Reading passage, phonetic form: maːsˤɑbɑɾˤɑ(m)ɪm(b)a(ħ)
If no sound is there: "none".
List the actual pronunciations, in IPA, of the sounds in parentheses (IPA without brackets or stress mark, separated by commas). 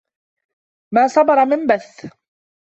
m, b, θ